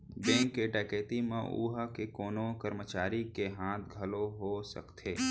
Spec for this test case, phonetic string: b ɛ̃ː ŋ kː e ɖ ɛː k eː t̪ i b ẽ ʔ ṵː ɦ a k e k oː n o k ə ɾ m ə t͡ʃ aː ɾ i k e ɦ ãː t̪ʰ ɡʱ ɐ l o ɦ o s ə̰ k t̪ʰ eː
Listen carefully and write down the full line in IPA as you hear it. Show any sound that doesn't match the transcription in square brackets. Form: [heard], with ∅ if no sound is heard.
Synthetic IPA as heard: b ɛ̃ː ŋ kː e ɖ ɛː k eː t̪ i [m] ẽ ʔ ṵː ɦ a k e k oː n o k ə ɾ m ə t͡ʃ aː ɾ i k e ɦ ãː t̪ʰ ɡʱ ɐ l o ɦ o s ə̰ k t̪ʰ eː